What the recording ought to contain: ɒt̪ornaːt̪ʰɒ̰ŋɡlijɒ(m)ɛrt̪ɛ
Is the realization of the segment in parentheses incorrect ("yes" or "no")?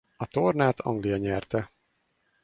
yes